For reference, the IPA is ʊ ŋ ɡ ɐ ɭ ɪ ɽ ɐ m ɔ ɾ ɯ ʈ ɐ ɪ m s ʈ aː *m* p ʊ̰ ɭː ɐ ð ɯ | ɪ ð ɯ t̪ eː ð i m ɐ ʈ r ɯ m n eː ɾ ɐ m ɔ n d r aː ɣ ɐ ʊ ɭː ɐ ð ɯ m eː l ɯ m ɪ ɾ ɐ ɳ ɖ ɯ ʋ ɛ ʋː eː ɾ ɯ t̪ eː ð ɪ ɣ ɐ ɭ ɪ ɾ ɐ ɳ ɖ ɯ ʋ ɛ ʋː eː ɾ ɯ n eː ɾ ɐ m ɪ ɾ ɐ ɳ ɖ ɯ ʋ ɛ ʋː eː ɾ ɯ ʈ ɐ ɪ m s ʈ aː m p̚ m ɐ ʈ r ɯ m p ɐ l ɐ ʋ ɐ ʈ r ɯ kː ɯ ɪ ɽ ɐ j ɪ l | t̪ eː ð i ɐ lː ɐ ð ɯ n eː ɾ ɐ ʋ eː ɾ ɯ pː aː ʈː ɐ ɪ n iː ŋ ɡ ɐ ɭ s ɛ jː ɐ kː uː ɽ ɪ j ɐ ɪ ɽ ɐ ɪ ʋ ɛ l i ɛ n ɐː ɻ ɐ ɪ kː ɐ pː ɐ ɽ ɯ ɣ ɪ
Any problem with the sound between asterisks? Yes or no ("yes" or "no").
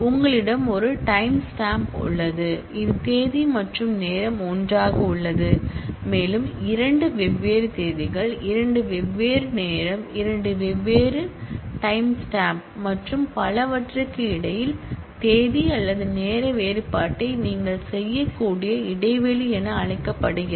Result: no